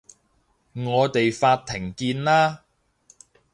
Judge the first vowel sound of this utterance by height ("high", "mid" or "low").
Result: mid